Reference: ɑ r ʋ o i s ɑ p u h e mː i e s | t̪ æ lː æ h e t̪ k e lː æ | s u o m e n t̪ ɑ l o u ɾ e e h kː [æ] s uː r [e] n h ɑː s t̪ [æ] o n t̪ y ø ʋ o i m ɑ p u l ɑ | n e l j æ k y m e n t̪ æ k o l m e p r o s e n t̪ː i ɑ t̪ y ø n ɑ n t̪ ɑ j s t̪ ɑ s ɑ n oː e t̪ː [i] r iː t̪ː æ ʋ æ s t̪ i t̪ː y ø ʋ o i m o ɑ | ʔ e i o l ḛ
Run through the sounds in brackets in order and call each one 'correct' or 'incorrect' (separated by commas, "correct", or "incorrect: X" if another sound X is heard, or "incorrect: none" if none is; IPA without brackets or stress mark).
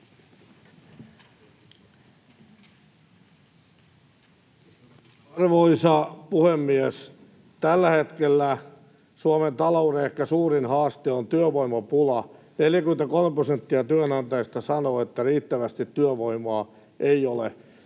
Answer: correct, incorrect: i, incorrect: e, incorrect: æ